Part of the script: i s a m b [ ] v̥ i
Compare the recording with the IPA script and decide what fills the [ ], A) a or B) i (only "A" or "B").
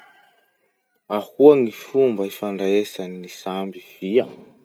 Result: B